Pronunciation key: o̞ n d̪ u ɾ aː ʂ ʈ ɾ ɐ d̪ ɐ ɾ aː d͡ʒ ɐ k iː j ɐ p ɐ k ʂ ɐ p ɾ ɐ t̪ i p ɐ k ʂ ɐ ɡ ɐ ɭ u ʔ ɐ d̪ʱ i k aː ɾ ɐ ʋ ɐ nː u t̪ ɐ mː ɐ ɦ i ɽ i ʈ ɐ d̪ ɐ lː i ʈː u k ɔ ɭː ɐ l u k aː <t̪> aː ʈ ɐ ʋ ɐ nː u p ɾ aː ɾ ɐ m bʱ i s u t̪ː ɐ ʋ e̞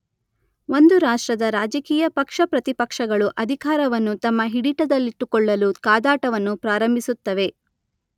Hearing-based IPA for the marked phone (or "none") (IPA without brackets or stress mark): d̪